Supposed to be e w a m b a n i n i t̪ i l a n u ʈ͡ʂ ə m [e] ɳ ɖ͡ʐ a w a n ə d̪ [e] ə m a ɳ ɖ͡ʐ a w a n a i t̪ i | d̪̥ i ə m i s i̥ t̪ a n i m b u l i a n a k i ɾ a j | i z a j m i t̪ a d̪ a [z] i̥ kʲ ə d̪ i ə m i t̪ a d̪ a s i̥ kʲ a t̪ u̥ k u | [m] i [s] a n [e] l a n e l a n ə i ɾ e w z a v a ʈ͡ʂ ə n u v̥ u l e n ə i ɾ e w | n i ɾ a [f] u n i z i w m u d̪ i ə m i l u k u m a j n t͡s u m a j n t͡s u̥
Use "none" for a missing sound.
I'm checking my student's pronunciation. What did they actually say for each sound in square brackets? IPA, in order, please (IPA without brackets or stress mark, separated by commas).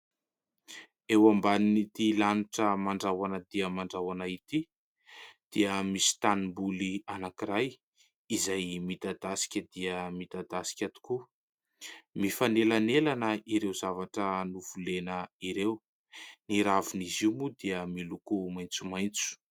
a, i, s, m, f, e, v